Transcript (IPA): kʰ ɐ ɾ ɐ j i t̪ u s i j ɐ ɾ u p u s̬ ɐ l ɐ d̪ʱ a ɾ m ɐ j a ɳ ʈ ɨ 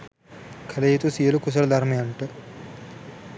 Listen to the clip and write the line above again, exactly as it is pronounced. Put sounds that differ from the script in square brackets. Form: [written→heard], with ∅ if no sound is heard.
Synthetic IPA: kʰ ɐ [ɾ→l] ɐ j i t̪ u s i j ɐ [ɾ→l] u [p→k] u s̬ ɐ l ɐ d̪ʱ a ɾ m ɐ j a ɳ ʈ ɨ